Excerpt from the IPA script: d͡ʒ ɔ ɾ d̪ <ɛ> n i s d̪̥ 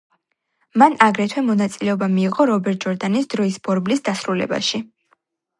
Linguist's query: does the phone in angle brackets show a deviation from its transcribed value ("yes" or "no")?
yes